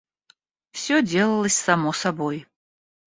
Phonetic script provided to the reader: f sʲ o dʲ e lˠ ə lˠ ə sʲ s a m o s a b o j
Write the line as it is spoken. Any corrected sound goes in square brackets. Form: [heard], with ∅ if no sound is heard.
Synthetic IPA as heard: f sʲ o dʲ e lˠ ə lˠ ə sʲ s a m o s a b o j